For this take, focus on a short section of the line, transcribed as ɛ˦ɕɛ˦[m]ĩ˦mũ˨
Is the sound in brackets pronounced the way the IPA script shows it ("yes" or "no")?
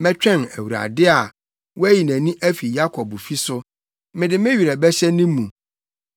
no